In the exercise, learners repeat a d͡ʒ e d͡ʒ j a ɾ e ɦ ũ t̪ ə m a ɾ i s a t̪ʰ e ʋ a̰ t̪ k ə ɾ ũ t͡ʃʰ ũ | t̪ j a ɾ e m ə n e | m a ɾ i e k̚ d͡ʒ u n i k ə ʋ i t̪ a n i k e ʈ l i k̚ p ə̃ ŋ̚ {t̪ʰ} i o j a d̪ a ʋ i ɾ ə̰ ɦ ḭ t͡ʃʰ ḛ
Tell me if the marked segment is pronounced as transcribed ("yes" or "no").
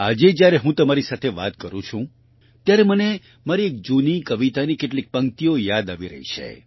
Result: no